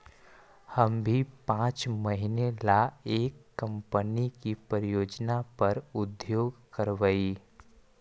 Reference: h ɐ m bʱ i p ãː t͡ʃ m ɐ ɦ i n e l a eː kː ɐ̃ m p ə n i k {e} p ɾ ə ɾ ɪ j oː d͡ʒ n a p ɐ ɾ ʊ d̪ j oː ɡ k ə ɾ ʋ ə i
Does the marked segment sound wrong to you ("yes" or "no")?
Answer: yes